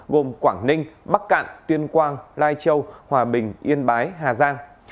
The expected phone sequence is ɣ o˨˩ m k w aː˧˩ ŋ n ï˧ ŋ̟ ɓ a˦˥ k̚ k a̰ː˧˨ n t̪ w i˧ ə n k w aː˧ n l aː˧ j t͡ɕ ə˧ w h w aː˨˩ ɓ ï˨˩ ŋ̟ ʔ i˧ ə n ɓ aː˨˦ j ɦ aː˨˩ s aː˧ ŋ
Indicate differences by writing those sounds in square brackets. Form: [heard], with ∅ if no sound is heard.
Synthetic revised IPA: ɣ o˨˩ m k w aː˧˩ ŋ n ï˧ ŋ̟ ɓ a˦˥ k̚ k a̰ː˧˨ n t̪ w i˧ ə n k w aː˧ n l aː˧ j t͡ɕ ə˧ w h w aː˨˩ ɓ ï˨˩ ŋ̟ ʔ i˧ ə n ɓ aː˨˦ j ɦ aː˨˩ [z] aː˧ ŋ